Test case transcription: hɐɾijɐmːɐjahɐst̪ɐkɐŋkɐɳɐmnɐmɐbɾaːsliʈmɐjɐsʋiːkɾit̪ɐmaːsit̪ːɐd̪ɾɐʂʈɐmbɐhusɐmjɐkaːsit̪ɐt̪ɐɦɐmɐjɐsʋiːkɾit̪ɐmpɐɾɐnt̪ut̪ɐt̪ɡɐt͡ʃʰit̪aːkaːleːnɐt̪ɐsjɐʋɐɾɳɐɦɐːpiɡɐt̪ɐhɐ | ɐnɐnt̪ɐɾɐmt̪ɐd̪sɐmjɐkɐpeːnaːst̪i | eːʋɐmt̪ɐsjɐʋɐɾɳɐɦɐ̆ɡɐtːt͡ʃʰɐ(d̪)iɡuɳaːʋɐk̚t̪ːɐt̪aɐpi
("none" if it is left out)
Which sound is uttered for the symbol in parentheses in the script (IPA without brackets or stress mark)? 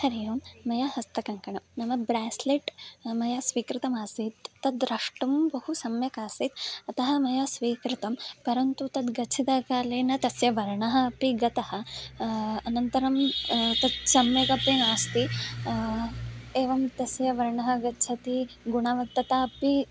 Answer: t̪